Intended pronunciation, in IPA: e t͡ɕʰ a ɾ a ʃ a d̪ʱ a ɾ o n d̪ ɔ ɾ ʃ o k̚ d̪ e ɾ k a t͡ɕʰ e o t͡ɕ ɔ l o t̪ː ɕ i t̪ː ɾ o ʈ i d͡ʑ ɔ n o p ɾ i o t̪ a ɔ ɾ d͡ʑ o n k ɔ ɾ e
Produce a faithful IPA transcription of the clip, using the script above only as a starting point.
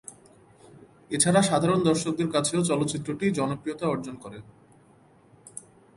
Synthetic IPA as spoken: e t͡ɕʰ a ɾ a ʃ a d̪ʱ a ɾ o n d̪ ɔ ɾ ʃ o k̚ d̪ e ɾ k a t͡ɕʰ e o t͡ɕ ɔ l o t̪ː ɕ i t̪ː ɾ o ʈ i d͡ʑ ɔ n o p ɾ i o t̪ a ɔ ɾ d͡ʑ o n k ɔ ɾ e

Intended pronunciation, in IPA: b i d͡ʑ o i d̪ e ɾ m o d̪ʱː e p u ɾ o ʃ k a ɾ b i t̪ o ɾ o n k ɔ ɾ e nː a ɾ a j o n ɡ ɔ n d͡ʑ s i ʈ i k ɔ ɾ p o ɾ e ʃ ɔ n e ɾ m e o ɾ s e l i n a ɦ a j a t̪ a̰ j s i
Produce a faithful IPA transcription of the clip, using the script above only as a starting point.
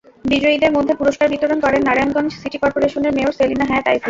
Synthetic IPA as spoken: b i d͡ʑ o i d̪ e ɾ m o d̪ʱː e p u ɾ o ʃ k a ɾ b i t̪ o ɾ o n k ɔ ɾ e nː a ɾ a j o n ɡ ɔ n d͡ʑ s i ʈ i k ɔ ɾ p o ɾ e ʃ o n e ɾ m e o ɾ s e l i n a ɦ a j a t̪ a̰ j s i

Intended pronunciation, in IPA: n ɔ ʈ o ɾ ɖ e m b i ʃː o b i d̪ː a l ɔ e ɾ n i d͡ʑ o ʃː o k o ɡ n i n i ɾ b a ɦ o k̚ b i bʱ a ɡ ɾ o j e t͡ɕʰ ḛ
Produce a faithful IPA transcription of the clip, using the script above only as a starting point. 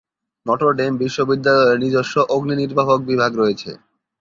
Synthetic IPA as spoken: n ɔ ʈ o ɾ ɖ e m b i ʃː o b i d̪ː a l ɔ e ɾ n i d͡ʑ o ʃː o ʔ o ɡ n i n i ɾ b a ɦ o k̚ b i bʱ a ɡ ɾ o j e t͡ɕʰ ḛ

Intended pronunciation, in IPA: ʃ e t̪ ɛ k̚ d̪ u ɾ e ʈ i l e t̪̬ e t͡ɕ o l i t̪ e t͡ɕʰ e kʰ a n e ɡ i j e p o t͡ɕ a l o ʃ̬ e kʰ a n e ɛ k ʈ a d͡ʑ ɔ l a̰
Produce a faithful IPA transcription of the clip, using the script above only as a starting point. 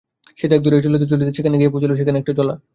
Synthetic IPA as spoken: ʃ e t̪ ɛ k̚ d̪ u ɾ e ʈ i l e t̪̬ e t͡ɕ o l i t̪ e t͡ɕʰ e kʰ a n e ɡ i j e p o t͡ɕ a l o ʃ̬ e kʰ a n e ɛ k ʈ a d͡ʑ ɔ l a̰

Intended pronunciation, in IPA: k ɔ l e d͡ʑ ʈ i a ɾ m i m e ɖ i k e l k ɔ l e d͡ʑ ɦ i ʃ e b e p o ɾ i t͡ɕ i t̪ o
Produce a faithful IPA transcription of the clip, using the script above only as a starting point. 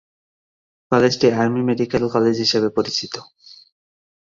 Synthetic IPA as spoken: k ɔ l e d͡ʑ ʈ i a ɾ m i m e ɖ i k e l k ɔ l e d͡ʑ ɦ i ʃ e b e p o ɾ i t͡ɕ i t̪ o

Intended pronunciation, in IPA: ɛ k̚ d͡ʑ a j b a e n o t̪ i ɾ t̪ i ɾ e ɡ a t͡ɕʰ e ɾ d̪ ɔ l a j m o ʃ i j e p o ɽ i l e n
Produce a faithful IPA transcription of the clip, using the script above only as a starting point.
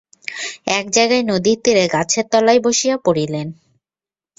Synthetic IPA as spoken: ɛ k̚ d͡ʑ a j ɡ a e n o d̪ i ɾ t̪ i ɾ e ɡ a t͡ɕʰ e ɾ t̪ ɔ l a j b o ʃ i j a p o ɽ i l e n

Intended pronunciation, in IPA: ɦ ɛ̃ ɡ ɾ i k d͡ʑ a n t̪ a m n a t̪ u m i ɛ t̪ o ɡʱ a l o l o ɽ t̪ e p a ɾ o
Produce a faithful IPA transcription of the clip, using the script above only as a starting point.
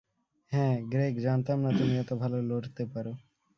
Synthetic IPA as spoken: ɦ ɛ̃ ɡ ɾ e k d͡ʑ a n t̪ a m n a t̪ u m i ɛ t̪ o bʱ a l o l o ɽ t̪ e p a ɾ o

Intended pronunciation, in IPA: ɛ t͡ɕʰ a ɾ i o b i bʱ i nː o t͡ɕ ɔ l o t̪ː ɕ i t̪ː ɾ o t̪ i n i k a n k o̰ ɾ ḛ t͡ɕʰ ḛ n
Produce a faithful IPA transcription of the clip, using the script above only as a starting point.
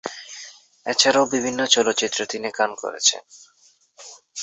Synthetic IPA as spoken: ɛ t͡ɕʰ a ɾ a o b i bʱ i nː o t͡ɕ ɔ l o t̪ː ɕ i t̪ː ɾ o t̪ i n i k a n k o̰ ɾ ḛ t͡ɕʰ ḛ n

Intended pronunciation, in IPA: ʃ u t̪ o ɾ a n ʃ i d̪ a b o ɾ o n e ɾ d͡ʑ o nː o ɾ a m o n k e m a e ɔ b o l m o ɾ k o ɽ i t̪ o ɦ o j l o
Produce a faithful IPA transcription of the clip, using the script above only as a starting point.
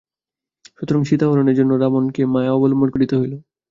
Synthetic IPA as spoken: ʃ u t̪ o ɾ a ŋ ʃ i t̪ a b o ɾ o n e ɾ d͡ʑ o nː o ɾ a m o n k e m a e ɔ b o l m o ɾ k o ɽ i t̪ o ɦ o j l o

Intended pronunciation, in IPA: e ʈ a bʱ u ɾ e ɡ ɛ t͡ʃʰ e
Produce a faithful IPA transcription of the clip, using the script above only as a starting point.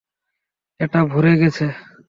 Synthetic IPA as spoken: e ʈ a bʱ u ɾ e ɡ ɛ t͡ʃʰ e

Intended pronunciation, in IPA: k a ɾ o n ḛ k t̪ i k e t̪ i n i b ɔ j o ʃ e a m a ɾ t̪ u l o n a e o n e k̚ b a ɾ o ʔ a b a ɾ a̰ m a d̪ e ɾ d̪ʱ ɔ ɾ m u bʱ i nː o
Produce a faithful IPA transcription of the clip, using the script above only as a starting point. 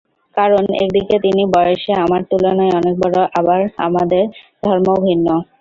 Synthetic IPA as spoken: k a ɾ o n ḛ k d̪ i k e t̪ i n i b ɔ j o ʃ e a m a ɾ t̪ u l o n a e ɔ n e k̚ b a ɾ o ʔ a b a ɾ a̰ m a d̪ e ɾ d̪ʱ ɔ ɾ m o bʱ i nː o

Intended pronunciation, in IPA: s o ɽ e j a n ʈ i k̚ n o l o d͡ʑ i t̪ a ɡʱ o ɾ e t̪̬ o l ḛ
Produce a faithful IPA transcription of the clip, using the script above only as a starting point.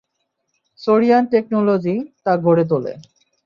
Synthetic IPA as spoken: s o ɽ i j a n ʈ e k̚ n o l o d͡ʑ i t̪ a ɡʱ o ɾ e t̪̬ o l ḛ

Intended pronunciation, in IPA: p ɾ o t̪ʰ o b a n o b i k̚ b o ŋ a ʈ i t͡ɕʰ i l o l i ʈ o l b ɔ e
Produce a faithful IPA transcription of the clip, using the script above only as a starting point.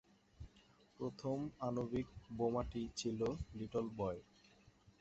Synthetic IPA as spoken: p ɾ o t̪ʰ o m a n o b i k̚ b o m a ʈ i t͡ɕʰ i l o l i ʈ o l b ɔ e

